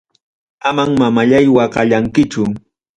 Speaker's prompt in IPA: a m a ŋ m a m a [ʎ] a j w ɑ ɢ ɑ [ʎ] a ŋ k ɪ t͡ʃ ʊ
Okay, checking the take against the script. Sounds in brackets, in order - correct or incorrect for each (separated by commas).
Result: correct, correct